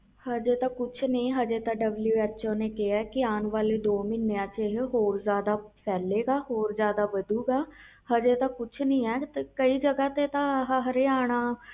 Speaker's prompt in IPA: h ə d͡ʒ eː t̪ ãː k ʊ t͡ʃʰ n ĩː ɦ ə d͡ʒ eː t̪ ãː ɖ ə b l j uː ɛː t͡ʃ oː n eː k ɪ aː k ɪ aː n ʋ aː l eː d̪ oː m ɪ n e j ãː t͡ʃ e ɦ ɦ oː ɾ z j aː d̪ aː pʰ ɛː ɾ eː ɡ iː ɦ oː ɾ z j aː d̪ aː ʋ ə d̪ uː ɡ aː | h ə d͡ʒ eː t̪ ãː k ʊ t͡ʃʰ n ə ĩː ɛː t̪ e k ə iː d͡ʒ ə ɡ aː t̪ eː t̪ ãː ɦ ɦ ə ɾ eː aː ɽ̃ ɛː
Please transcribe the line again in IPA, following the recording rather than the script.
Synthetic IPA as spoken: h ə d͡ʒ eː t̪ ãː k ʊ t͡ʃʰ n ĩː ɦ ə d͡ʒ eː t̪ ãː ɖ ə b l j uː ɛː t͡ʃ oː n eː k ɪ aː k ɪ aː n ʋ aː l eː d̪ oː m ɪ n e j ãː t͡ʃ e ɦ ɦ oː ɾ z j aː d̪ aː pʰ ɛː l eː ɡ aː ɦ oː ɾ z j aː d̪ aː ʋ ə d̪ uː ɡ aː | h ə d͡ʒ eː t̪ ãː k ʊ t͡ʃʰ n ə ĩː ɛː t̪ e k ə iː d͡ʒ ə ɡ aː t̪ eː t̪ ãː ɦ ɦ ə ɾ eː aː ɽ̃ aː